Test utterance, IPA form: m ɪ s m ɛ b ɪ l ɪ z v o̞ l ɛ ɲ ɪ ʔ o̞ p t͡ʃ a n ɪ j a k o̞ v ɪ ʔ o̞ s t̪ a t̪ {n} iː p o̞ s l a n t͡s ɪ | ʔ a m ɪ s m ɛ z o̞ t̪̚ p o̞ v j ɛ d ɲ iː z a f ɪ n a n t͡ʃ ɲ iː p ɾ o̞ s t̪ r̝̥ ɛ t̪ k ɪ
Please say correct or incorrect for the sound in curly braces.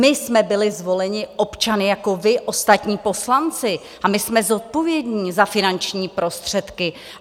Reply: incorrect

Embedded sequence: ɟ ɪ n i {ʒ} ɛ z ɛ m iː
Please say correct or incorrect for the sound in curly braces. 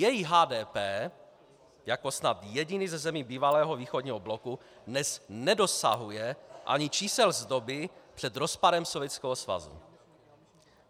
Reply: incorrect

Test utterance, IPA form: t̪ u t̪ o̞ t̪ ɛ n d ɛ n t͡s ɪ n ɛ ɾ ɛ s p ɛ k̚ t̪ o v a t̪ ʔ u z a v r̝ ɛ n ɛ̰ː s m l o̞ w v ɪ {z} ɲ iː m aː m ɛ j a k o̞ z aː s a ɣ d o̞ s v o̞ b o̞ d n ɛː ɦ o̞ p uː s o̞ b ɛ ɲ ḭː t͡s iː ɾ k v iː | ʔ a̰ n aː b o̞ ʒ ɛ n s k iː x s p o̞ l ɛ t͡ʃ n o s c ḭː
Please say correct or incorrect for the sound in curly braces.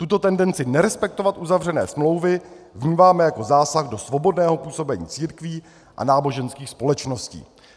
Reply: incorrect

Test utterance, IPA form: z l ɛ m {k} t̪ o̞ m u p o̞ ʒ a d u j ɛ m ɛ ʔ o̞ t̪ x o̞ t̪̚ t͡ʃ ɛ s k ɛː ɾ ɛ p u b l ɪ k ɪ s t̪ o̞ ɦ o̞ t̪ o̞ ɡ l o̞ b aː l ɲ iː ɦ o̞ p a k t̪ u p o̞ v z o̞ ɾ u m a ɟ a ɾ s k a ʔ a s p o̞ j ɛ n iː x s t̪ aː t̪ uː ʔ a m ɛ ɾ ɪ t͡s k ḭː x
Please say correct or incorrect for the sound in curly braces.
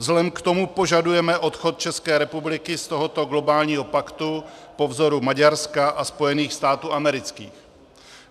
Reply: correct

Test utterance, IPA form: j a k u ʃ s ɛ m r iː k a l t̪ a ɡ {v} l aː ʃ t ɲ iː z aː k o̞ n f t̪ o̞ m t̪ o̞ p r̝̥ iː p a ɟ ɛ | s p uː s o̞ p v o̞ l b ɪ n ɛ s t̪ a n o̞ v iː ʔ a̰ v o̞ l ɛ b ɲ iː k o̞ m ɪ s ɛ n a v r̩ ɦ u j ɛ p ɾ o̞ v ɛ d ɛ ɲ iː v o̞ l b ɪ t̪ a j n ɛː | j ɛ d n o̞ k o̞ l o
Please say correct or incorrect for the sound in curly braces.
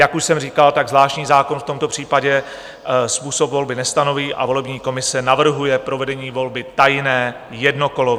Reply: incorrect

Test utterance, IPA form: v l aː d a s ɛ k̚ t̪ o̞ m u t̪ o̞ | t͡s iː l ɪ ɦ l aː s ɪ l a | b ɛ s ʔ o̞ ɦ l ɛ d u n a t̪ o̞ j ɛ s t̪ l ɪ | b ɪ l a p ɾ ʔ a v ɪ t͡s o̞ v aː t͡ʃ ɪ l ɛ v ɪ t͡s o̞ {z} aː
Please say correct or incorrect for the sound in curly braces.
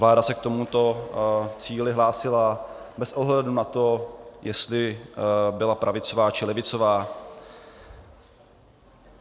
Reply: incorrect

